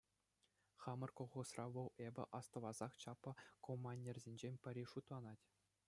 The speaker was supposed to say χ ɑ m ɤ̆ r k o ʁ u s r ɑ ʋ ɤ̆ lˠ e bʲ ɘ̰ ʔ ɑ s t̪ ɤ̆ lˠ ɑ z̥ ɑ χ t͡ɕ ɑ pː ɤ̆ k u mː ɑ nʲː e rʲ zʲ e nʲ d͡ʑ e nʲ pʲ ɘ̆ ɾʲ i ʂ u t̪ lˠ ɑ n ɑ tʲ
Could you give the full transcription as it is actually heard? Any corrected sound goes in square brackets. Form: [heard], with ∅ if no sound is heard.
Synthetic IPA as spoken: χ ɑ m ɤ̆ r k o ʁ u s r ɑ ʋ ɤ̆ lˠ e bʲ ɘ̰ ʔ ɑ s t̪ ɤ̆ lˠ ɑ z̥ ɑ χ t͡ɕ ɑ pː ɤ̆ k [o] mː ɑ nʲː e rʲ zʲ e nʲ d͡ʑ e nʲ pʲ ɘ̆ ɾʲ i ʂ u t̪ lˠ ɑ n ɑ tʲ

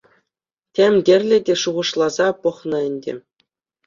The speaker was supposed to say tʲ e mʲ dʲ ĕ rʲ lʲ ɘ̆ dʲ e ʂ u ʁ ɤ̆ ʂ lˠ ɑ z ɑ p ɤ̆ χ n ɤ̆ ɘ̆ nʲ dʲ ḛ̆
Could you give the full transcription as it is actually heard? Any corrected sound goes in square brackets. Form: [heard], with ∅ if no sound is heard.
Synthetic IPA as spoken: tʲ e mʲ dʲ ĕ rʲ lʲ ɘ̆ dʲ e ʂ u ʁ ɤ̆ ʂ lˠ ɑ z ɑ p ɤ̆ χ n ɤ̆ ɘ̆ nʲ dʲ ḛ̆

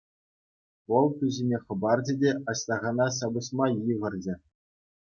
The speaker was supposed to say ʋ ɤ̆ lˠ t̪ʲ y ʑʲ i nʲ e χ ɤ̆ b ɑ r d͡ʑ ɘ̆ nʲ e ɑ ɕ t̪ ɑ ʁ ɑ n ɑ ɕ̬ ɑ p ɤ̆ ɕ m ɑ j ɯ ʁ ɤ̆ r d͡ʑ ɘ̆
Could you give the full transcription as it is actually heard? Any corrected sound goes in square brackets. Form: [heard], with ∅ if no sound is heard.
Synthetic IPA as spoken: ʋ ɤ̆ lˠ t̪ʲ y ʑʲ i nʲ e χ ɤ̆ b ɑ r d͡ʑ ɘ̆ [dʲ] e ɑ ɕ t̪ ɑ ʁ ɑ n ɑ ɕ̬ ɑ [b] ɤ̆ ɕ m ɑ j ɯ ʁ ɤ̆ r d͡ʑ ɘ̆

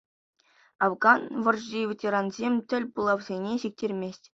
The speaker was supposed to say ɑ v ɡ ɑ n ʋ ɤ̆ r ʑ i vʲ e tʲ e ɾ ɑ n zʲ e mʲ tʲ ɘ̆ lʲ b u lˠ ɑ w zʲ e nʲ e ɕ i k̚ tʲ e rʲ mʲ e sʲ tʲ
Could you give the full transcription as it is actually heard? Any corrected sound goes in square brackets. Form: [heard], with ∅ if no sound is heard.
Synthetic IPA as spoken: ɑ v ɡ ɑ n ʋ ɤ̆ r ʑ i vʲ e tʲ e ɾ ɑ n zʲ e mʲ tʲ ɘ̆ lʲ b u lˠ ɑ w zʲ e nʲ e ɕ i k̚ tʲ e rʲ mʲ e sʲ tʲ

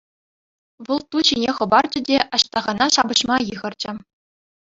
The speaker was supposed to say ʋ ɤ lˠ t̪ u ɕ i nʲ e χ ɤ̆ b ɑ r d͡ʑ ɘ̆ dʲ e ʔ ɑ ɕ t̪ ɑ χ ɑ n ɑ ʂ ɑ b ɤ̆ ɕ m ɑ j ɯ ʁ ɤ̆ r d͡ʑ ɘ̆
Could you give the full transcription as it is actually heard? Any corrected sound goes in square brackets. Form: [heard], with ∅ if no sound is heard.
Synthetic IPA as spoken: ʋ ɤ lˠ t̪ u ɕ i nʲ e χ ɤ̆ b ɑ r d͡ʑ ɘ̆ dʲ e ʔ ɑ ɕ t̪ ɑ [ʁ] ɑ n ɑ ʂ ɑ b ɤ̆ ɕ m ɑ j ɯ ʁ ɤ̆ r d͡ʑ ɘ̆

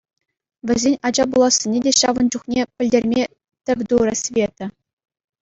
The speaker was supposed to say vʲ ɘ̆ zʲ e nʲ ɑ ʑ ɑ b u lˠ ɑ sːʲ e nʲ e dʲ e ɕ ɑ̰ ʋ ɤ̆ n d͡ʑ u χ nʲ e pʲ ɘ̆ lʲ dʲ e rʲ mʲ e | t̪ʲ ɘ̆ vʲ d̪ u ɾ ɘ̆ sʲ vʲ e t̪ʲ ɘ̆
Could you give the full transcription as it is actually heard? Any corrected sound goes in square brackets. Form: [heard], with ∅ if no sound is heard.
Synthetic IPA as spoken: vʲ ɘ̆ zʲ e nʲ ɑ [d͡ʑ] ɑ b u lˠ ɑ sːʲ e nʲ e dʲ e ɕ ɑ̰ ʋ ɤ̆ n d͡ʑ u χ nʲ e pʲ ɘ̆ lʲ dʲ e rʲ mʲ e | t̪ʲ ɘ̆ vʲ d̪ u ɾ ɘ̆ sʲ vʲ e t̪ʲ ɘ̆

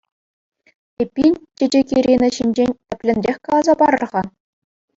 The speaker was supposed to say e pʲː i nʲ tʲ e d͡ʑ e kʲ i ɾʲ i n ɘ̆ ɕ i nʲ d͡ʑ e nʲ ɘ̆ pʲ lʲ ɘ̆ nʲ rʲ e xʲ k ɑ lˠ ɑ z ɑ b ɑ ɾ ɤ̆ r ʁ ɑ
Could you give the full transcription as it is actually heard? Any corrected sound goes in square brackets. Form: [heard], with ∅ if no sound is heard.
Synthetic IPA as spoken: e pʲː i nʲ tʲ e d͡ʑ e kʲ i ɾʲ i n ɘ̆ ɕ i nʲ d͡ʑ e nʲ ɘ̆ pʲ lʲ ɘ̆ nʲ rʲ e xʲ k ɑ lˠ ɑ z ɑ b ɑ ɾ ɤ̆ r ʁ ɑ

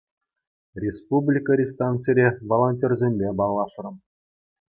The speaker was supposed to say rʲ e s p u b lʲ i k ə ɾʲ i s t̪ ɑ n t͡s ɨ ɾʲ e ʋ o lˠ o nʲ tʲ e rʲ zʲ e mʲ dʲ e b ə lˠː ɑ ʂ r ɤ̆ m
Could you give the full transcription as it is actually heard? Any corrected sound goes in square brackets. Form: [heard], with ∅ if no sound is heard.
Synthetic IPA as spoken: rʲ e s p u b lʲ i k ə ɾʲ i s t̪ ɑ n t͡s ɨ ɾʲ e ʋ o lˠ o nʲ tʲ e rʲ zʲ e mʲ [bʲ] e b [ɑ] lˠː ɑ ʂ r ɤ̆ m

